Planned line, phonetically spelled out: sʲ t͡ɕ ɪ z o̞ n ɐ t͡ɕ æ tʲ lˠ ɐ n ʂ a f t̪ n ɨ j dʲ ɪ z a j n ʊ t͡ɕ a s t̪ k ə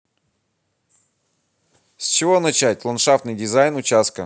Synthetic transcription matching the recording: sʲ t͡ɕ ɪ v o̞ n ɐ t͡ɕ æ tʲ lˠ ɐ n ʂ a f t̪ n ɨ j dʲ ɪ z a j n ʊ t͡ɕ a s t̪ k ə